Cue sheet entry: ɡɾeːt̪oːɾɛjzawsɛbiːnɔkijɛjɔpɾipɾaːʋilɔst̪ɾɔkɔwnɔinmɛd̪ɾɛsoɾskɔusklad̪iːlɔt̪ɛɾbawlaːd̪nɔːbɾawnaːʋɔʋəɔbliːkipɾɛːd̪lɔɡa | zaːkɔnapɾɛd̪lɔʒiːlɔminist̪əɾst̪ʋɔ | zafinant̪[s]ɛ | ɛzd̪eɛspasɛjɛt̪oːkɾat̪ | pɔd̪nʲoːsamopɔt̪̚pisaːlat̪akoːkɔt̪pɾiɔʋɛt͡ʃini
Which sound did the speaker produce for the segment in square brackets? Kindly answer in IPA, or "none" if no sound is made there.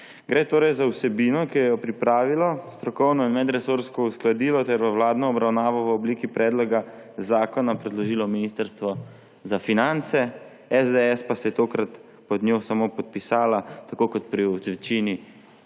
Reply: s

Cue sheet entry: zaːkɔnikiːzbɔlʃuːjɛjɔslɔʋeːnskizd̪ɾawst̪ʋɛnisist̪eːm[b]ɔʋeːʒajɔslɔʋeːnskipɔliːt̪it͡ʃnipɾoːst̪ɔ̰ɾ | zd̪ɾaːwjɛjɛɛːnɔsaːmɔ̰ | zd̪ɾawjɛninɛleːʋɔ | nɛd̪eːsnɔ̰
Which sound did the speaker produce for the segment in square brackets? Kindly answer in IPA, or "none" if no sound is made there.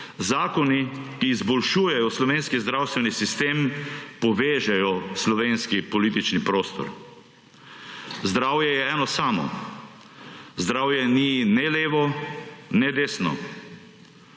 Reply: p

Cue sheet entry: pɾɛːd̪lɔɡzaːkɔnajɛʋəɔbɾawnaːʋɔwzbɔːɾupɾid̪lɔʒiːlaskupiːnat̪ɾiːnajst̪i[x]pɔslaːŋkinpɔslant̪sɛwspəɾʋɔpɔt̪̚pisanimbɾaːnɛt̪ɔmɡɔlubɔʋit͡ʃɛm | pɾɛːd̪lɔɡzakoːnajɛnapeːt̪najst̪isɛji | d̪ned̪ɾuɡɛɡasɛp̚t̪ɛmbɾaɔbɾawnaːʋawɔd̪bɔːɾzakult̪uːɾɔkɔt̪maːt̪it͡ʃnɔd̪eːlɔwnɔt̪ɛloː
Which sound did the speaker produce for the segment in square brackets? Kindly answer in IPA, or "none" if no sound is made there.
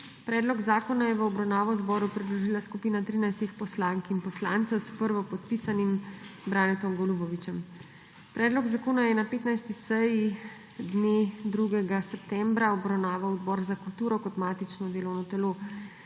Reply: x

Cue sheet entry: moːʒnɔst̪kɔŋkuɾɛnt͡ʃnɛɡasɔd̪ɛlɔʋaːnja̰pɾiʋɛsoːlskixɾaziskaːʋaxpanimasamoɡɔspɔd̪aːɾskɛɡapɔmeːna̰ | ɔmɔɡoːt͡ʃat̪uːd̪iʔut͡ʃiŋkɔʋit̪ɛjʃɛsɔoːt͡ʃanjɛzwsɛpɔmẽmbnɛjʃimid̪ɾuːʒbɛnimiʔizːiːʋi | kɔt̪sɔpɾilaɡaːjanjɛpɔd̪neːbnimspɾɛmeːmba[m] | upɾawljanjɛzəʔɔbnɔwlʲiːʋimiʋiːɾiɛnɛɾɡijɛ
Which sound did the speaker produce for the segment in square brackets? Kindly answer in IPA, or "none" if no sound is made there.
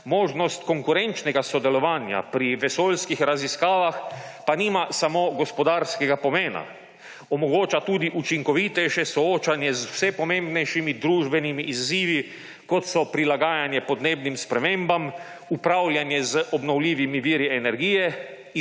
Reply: m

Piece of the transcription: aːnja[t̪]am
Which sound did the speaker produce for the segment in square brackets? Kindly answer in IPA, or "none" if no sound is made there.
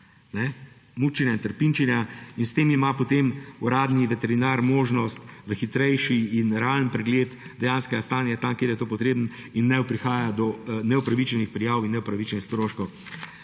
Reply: t̪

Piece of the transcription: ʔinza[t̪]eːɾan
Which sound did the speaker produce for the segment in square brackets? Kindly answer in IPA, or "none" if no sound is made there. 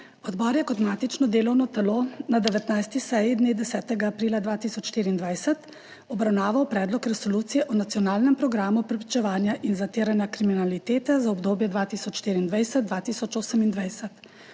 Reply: t̪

